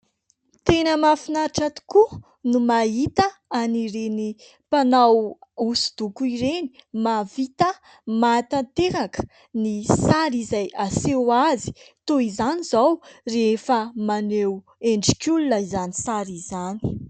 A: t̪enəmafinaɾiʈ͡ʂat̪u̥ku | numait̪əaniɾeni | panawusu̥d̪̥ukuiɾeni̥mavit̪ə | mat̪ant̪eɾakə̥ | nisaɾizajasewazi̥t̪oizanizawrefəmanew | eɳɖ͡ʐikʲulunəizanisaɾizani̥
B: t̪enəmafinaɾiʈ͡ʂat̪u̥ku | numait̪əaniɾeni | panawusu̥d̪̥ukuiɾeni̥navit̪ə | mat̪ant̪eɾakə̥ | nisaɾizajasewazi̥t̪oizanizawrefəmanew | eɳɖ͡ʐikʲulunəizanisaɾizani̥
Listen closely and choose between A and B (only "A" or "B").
A